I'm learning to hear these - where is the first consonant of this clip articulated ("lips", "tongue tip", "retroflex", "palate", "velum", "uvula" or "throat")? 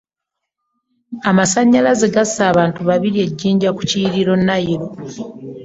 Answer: lips